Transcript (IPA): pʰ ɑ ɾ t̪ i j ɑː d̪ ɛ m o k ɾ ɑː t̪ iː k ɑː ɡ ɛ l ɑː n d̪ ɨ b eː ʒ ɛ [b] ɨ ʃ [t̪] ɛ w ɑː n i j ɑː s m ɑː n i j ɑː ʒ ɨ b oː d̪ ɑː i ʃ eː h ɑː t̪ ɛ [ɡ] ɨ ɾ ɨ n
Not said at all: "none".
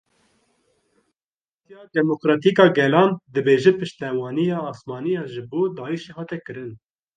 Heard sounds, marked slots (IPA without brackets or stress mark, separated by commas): p, t̪, k